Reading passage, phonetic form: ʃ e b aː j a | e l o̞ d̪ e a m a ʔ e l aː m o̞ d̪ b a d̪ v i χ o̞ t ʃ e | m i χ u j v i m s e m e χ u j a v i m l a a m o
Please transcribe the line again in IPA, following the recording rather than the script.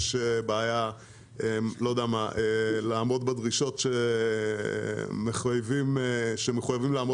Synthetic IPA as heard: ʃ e b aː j a | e l o̞ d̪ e a m a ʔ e l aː m o̞ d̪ b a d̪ ʁ i ʃ o̞ t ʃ e | m e χ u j v i m ʃ e m e χ u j a v i m l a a m o